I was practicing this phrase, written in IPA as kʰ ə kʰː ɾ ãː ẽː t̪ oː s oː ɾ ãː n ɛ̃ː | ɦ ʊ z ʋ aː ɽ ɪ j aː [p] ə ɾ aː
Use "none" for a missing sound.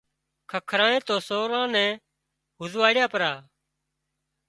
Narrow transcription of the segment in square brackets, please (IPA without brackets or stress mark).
p